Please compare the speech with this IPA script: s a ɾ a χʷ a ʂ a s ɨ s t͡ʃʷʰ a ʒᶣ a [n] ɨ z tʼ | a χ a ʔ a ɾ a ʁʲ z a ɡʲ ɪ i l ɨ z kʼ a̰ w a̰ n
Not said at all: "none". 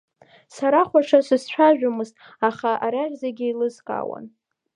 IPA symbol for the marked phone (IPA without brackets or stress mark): m